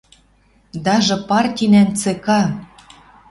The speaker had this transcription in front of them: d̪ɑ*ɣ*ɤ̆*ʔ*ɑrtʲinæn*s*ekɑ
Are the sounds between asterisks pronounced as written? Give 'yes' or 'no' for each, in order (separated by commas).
no, no, no